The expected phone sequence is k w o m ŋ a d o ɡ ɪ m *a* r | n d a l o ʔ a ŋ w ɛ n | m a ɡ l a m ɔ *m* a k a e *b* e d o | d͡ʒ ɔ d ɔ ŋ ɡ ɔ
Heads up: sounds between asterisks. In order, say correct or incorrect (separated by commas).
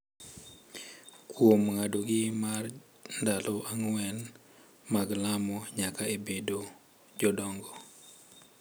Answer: correct, incorrect, correct